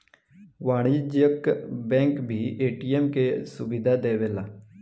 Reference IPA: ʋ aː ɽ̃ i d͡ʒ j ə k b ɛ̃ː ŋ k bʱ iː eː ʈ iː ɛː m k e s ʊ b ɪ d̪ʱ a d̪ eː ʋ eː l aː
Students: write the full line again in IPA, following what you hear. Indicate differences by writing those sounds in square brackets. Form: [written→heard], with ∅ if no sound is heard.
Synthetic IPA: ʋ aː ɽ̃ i d͡ʒ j ə k b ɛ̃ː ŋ k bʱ iː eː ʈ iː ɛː m k e s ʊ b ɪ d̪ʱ a d̪ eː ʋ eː l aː